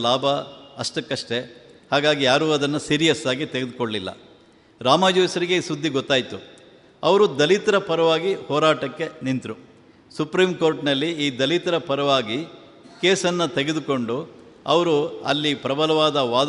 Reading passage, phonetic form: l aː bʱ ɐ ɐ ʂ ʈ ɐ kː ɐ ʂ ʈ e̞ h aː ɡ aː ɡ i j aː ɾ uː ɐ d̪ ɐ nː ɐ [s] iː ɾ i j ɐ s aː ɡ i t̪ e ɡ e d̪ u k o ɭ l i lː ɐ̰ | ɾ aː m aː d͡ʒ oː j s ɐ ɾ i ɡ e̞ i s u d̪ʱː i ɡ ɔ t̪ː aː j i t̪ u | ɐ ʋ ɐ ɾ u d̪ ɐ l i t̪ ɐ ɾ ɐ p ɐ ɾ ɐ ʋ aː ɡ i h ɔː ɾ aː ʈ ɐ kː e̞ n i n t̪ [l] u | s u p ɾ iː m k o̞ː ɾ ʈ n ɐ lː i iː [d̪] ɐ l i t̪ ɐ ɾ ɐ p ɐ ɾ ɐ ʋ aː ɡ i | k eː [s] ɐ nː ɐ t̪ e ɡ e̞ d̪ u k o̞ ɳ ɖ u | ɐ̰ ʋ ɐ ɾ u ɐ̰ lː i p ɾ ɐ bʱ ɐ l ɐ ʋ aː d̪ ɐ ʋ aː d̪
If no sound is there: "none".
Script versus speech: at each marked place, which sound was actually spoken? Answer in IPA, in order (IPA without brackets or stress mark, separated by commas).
s, ɾ, d̪, s